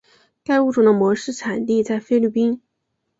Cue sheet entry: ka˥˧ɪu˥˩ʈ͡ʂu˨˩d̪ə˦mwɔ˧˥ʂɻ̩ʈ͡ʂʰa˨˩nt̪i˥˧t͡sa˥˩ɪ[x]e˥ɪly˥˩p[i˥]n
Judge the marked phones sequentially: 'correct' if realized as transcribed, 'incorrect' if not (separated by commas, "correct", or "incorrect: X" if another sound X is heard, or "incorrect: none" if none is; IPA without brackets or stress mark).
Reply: incorrect: f, correct